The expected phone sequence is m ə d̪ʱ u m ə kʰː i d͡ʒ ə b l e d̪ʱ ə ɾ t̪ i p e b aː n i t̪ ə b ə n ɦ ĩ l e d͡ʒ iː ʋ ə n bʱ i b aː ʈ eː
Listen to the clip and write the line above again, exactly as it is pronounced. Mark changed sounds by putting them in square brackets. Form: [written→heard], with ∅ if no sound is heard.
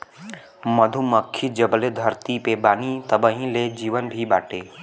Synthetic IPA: m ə d̪ʱ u m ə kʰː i d͡ʒ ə b l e d̪ʱ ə ɾ t̪ i p e b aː n i t̪ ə b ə [n→∅] ɦ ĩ l e d͡ʒ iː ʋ ə n bʱ i b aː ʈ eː